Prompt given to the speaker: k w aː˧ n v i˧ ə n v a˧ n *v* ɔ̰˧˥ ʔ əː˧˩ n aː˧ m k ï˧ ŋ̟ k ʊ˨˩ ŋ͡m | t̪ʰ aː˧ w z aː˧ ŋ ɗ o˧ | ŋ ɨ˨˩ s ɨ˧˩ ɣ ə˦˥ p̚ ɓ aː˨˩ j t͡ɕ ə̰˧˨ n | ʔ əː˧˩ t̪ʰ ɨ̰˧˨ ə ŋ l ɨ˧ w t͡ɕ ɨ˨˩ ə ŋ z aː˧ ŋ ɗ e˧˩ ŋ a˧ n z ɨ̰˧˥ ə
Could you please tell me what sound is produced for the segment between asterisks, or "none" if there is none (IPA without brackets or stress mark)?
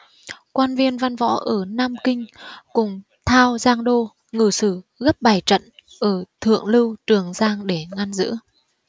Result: v